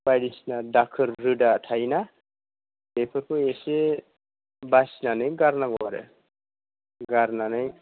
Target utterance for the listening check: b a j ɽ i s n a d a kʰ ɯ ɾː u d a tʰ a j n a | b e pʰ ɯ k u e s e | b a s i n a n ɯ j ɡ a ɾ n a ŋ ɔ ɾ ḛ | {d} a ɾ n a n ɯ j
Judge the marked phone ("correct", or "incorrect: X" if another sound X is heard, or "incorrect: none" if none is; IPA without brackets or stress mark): incorrect: ɡ